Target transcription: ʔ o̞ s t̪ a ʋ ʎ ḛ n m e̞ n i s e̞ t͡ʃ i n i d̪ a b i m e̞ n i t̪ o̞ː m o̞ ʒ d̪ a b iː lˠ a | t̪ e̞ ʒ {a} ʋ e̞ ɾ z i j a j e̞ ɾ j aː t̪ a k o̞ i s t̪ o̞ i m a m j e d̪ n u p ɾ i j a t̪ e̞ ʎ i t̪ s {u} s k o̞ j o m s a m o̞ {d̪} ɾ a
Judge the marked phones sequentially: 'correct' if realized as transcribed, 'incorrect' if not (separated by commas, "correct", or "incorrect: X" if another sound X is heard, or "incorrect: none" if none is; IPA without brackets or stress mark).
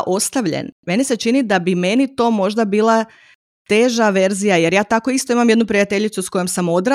correct, correct, correct